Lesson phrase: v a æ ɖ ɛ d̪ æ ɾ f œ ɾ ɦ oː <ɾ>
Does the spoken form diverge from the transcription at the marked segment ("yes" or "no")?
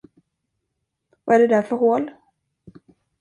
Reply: yes